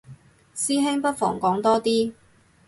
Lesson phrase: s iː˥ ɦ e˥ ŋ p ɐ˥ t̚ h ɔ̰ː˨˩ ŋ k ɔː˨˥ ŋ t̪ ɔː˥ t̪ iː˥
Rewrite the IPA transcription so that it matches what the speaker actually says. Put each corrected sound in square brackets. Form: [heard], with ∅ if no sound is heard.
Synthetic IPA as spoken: s iː˥ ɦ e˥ ŋ p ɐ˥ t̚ [f] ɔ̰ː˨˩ ŋ k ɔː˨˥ ŋ t̪ ɔː˥ t̪ iː˥